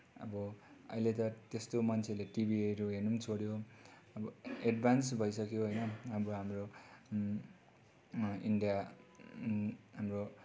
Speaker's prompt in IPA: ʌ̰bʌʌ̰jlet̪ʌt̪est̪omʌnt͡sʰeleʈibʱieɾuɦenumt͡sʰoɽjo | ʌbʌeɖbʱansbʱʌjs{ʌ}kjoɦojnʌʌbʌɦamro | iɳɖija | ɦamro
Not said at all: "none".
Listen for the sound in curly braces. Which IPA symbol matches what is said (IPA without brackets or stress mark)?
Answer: ʌ